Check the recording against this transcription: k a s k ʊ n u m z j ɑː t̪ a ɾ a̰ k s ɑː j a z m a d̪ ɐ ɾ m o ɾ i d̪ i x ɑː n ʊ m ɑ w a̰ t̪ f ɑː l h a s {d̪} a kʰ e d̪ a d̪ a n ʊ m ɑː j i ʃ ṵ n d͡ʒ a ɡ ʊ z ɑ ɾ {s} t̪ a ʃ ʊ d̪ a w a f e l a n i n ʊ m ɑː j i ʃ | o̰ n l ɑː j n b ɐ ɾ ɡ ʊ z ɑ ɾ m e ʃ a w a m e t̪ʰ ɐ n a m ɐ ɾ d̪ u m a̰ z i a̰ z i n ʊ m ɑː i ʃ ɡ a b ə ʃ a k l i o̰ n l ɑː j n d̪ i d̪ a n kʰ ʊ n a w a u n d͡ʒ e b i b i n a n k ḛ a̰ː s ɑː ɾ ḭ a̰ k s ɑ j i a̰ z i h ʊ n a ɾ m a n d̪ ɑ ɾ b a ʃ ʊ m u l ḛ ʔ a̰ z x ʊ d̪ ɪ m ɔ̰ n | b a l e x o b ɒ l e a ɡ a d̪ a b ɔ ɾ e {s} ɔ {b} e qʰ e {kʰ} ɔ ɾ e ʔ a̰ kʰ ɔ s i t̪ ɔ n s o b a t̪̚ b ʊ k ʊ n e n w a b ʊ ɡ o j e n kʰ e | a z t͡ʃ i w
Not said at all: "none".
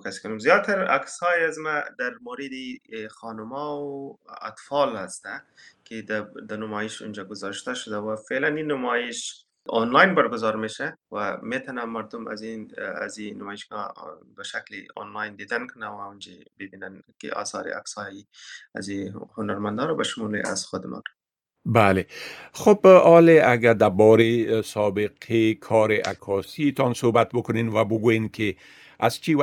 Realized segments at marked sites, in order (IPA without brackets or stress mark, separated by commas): t̪, ʃ, s, b, kʰ